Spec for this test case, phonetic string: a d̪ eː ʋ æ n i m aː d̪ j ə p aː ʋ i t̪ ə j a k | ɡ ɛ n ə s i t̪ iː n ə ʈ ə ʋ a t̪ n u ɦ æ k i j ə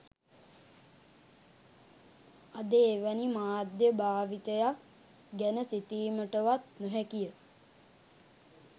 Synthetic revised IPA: a d̪ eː ʋ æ n i m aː d̪ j ə b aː ʋ i t̪ ə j a k | ɡ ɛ n ə s i t̪ iː m ə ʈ ə ʋ a t̪ n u ɦ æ k i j ə

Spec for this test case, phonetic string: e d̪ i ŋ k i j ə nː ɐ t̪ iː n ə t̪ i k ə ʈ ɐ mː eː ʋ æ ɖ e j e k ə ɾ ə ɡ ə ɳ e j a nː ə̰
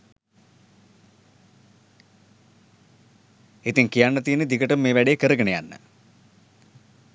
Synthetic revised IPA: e t̪ i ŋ k i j a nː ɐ t̪ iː n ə d̪ i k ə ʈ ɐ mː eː ʋ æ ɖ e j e k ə ɾ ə ɡ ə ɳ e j a nː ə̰

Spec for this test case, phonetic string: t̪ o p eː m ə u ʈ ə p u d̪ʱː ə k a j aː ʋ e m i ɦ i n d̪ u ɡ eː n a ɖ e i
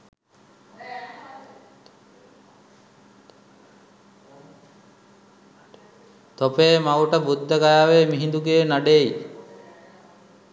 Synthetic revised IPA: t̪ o p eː m a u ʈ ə b u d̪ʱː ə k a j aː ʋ e m i ɦ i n d̪ u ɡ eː n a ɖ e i

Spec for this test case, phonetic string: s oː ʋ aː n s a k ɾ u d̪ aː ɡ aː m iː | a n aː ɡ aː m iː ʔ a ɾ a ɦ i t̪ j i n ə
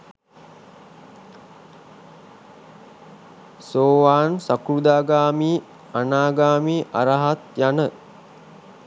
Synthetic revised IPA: s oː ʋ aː n s a k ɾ u d̪ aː ɡ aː m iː | a n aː ɡ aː m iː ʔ a ɾ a ɦ a t̪ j a n ə

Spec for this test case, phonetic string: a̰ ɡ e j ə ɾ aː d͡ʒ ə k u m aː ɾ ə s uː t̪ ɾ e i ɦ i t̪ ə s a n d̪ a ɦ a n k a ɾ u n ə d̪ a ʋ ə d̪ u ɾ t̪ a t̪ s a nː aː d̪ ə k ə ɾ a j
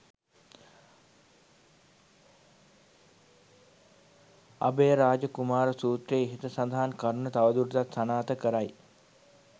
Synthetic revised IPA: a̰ b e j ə ɾ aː d͡ʒ ə k u m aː ɾ ə s uː t̪ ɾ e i ɦ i t̪ ə s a n d̪ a ɦ a n k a ɾ u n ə t̪ a ʋ ə d̪ u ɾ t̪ a t̪ s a n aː t̪ ə k ə ɾ a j

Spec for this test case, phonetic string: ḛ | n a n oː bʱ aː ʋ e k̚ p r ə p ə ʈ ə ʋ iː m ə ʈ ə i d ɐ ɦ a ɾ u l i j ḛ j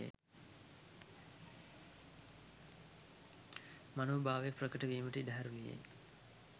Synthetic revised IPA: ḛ | m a n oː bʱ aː ʋ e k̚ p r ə k ə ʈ ə ʋ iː m ə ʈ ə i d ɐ ɦ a ɾ u l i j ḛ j

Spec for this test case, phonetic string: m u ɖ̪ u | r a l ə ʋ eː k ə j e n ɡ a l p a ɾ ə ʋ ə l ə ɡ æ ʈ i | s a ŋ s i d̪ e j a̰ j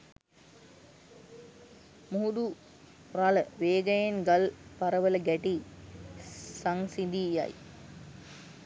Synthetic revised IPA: m u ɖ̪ u | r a l ə ʋ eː ɡ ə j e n ɡ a l p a ɾ ə ʋ ə l ə ɡ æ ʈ i | s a ŋ s i d̪ i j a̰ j

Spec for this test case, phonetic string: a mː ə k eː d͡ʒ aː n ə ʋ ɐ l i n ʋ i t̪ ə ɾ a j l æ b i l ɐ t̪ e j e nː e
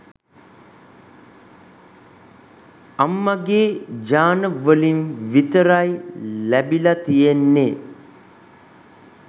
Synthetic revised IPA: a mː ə ɡ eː d͡ʒ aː n ə ʋ ə l i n ʋ i t̪ ə ɾ a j l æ b i l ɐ t̪ i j e nː e

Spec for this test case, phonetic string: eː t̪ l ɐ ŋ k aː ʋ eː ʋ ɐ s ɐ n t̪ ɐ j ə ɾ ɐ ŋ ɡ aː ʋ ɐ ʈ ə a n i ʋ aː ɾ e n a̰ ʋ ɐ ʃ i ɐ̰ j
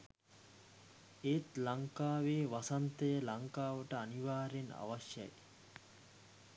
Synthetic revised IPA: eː t̪ l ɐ ŋ k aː ʋ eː ʋ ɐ s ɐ n t̪ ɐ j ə l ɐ ŋ k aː ʋ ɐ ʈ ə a n i ʋ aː ɾ e n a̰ ʋ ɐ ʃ j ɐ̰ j

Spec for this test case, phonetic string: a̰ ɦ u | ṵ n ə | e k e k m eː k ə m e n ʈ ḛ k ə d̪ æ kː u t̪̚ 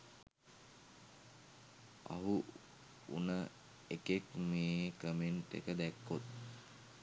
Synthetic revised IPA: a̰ ɦ u | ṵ n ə | e k e k m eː k ə m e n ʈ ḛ k ə d̪ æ kː o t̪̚

